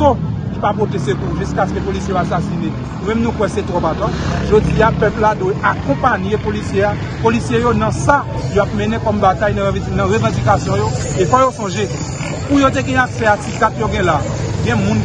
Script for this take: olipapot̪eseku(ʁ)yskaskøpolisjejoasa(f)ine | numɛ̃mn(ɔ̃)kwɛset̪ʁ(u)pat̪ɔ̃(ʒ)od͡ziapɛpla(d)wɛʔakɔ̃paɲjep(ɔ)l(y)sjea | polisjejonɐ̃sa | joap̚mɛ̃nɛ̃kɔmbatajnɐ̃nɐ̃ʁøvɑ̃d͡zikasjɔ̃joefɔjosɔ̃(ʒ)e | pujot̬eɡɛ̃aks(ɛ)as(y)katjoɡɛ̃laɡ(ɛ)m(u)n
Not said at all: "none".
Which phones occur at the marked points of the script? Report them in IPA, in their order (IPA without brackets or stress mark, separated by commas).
ʒ, s, ũ, ɔ, ʒ, d, o, i, ʒ, ɛ, i, ɛ̃, ũ